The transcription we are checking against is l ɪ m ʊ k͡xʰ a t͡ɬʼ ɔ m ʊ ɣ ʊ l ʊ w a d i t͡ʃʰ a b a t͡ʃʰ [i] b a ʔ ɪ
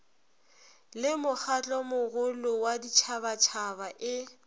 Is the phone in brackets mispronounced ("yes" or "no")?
yes